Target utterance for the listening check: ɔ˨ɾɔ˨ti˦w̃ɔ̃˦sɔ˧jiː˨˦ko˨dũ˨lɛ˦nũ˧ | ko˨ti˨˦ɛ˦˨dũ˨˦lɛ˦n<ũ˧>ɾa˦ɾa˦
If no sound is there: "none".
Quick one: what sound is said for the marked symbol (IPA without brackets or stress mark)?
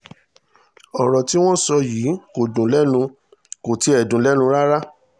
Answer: ũ˧